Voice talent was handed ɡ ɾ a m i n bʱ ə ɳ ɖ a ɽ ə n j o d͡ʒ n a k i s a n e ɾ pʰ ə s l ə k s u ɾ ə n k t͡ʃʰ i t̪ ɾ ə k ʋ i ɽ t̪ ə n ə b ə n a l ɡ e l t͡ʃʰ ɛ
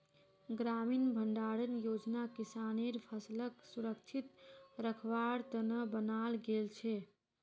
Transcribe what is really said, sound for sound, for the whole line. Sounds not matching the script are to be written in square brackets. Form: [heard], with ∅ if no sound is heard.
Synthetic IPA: ɡ ɾ a m i n bʱ ə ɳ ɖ a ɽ ə n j o d͡ʒ n a k i s a n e ɾ pʰ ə s l ə k s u ɾ ə [∅] k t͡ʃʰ i t̪ ɾ ə [kʰ] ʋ [a] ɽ t̪ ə n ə b ə n a l ɡ e l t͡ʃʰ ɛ

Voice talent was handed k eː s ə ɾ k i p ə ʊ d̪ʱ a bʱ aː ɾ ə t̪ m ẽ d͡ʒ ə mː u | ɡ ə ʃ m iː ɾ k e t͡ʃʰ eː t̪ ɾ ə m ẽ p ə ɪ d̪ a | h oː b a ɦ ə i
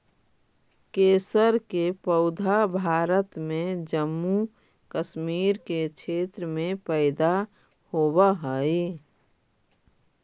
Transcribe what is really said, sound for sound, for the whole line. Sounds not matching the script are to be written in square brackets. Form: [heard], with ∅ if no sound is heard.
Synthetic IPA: k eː s ə ɾ k [e] p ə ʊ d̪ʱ a bʱ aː ɾ ə t̪ m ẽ d͡ʒ ə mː u | [k] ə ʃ m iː ɾ k e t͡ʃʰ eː t̪ ɾ ə m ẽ p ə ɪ d̪ a | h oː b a ɦ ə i

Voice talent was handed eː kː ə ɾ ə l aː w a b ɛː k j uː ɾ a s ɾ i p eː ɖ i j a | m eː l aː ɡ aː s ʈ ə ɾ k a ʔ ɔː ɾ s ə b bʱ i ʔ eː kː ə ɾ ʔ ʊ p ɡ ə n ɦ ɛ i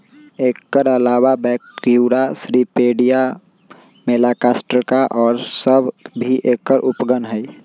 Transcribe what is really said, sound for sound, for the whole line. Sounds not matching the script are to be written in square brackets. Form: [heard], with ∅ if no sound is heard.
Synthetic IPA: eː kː ə ɾ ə l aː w a b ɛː k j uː ɾ a s ɾ i p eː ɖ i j a | m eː l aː [k] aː s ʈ ə ɾ k a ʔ ɔː ɾ s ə b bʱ i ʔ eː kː ə ɾ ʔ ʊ p ɡ ə n ɦ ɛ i

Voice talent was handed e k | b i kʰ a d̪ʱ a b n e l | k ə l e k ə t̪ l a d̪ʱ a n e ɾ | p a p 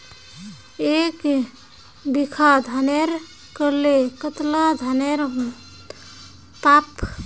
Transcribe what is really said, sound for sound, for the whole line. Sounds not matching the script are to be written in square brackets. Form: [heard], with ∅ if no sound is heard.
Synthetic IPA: e k | b i kʰ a d̪ʱ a [∅] n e [ɾ] | k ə l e k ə t̪ l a d̪ʱ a n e ɾ | p a p

